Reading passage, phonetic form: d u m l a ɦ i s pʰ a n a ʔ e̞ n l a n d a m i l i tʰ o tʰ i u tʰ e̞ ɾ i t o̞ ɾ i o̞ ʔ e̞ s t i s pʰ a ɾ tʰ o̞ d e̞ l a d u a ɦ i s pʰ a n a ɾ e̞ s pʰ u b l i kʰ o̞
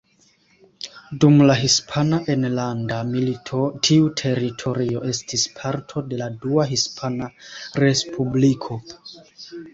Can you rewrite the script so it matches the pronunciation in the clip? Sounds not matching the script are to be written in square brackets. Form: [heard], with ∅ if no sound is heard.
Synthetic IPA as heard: d u m l a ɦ i s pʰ a n a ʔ e̞ n l a n d a m i l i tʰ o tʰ i u tʰ e̞ ɾ i [tʰ] o̞ ɾ i o̞ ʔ e̞ s t i s pʰ a ɾ tʰ o̞ d e̞ l a d u a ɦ i s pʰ a n a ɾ e̞ s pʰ u b l i kʰ o̞

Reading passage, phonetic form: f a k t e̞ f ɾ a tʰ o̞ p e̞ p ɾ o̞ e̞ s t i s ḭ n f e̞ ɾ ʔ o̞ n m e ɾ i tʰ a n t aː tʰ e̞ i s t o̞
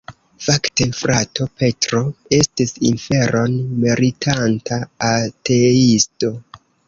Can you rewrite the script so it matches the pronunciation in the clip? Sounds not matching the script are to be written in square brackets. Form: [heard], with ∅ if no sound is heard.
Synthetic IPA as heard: f a k t e̞ f ɾ a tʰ o̞ p e̞ [t] ɾ o̞ e̞ s t i s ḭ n f e̞ ɾ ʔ o̞ n m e ɾ i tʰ a n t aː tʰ e̞ i s t o̞

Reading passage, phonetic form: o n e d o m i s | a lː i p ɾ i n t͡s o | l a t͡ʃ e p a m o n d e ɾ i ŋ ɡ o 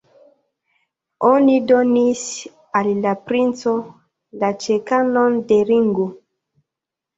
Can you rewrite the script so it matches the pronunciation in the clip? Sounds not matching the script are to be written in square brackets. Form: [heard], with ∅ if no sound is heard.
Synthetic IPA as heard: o n [i] d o [n] i s | a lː [a] p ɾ i n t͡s o | l a t͡ʃ e [k] a [n] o n d e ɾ i ŋ ɡ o

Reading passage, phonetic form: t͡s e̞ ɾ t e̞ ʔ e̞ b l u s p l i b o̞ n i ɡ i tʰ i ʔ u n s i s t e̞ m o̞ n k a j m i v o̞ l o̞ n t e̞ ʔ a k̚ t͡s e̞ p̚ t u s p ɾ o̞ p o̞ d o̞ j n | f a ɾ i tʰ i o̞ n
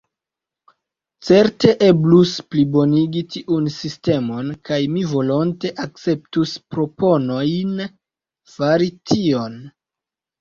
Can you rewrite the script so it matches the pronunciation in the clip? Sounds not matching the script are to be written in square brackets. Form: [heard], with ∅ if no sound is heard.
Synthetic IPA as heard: t͡s e̞ ɾ t e̞ ʔ e̞ b l u s p l i b o̞ n i ɡ i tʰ i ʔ u n s i s t e̞ m o̞ n k a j m i v o̞ l o̞ n t e̞ ʔ a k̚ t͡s e̞ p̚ t u s p ɾ o̞ p o̞ [n] o̞ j n | f a ɾ i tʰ i o̞ n

